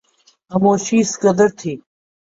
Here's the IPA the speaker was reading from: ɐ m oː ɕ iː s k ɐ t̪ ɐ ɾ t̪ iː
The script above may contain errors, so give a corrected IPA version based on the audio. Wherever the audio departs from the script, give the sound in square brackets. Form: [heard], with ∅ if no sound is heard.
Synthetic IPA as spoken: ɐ m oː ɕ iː s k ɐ [d̪] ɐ ɾ [t̪ʰ] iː